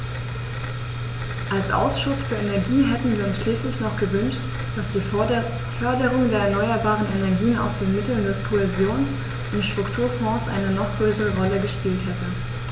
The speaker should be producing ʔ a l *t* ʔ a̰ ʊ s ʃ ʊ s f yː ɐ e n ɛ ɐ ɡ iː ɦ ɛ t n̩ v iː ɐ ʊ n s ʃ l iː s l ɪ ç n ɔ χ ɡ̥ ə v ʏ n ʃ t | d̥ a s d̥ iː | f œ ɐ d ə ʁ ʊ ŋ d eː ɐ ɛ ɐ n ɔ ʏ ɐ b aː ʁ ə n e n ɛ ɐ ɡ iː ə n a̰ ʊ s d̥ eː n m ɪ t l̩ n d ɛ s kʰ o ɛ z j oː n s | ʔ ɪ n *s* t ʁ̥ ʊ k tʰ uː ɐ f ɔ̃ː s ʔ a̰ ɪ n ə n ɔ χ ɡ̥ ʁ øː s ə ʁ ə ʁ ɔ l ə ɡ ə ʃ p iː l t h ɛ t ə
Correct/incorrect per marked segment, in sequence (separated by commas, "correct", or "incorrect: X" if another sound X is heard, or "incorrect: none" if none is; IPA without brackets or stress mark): incorrect: s, incorrect: ʃ